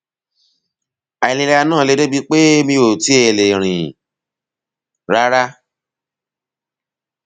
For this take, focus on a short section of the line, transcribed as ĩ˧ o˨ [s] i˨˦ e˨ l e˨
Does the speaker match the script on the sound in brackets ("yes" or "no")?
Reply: no